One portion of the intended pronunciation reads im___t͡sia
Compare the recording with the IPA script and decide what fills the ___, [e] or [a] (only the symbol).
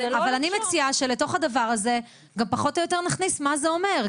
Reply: e